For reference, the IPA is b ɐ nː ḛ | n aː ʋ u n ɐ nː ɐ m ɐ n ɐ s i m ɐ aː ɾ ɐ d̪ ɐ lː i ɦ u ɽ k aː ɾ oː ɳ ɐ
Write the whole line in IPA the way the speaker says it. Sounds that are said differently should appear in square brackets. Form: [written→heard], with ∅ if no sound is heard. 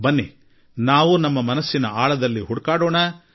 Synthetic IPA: b ɐ nː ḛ | n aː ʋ u n ɐ [nː→mː] ɐ m ɐ n ɐ [s→sː] i [m→n] ɐ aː [ɾ→ɭ] ɐ d̪ ɐ lː i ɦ u ɽ k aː [ɾ→ɽ] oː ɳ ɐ